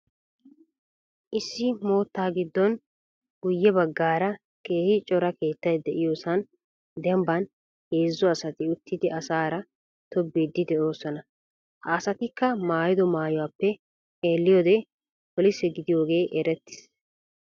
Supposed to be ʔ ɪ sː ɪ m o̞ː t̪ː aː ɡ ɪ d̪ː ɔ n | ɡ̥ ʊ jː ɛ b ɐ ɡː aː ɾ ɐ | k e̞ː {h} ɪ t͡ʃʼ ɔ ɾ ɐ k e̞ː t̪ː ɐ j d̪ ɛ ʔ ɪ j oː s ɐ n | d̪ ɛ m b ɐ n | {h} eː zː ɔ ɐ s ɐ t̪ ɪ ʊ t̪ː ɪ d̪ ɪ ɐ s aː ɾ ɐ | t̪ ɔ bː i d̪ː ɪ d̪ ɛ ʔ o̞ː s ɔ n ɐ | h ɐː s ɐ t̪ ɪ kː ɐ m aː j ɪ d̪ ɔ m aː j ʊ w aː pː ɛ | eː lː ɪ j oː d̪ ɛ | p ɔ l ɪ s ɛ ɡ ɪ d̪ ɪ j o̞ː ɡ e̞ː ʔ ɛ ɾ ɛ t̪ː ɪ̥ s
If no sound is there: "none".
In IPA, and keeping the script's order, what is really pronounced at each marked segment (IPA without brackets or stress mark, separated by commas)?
h, h